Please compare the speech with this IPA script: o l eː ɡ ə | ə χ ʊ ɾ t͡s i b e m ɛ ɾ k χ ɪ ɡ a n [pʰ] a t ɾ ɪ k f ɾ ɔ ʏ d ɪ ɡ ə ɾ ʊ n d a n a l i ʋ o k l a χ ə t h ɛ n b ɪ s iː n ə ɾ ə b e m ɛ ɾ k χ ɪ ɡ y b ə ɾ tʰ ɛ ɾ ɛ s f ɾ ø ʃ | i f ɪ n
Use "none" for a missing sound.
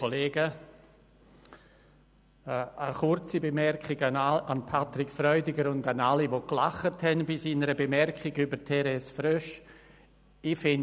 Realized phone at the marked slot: pʰ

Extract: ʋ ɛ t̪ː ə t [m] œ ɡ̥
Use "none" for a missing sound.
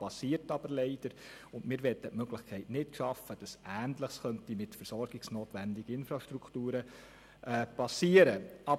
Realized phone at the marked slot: m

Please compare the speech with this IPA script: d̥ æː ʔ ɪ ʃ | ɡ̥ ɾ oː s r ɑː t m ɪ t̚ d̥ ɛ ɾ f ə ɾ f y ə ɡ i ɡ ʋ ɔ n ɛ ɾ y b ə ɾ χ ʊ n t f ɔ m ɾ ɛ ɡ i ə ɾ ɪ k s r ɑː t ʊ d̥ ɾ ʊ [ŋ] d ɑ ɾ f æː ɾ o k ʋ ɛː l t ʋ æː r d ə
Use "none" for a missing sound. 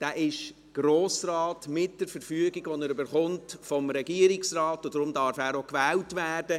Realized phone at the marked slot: m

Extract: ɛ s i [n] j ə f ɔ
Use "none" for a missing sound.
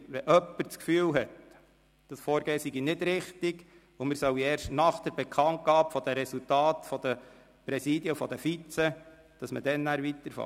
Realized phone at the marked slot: d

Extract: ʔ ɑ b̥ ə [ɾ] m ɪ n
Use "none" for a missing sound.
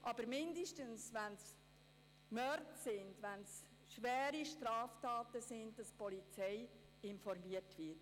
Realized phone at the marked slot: ɾ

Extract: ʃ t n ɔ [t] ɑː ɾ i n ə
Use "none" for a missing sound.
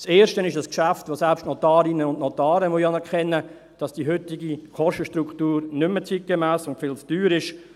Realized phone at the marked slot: t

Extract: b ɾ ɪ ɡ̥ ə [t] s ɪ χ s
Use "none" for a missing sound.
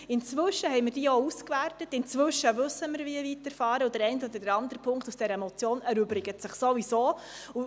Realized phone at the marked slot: t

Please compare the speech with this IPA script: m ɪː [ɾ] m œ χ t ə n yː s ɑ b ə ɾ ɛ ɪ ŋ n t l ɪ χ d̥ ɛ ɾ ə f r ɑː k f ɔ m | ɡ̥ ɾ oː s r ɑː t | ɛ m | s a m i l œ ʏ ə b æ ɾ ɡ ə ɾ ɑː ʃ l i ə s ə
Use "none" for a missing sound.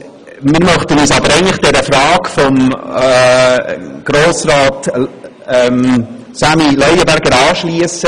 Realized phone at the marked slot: ɾ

